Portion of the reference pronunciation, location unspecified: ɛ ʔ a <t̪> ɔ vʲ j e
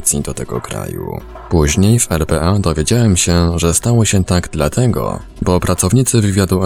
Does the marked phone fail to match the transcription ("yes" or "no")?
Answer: yes